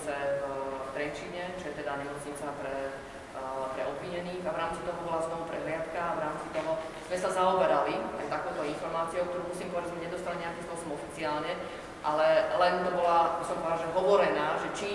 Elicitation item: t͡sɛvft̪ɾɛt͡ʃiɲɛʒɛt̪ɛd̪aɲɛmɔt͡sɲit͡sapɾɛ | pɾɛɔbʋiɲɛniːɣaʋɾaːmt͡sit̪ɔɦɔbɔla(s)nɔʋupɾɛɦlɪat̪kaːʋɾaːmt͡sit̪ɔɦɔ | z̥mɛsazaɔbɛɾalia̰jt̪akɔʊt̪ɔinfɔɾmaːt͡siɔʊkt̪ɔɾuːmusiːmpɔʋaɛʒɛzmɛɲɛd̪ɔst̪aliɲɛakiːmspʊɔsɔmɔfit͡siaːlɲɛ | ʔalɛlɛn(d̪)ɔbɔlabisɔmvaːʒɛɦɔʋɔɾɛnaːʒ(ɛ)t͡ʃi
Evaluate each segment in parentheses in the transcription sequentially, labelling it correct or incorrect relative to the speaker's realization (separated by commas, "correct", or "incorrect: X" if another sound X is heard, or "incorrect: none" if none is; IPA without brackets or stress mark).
incorrect: z, incorrect: t̪, correct